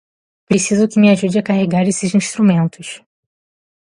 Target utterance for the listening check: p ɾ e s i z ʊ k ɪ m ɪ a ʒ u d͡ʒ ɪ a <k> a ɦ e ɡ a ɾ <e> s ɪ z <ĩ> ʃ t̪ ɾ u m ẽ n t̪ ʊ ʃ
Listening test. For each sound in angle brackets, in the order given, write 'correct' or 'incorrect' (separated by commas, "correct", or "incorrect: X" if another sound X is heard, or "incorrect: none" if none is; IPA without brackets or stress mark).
correct, correct, correct